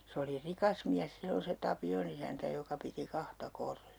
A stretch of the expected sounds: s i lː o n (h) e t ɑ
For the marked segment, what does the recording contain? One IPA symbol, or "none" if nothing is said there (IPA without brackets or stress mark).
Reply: s